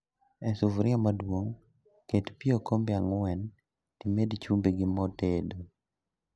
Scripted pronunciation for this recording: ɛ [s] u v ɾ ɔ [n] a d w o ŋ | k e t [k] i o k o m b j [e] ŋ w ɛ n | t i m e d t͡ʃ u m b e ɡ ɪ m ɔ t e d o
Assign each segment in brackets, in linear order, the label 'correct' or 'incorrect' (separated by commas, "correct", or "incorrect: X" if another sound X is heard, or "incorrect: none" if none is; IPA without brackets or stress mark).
correct, incorrect: m, incorrect: p, incorrect: a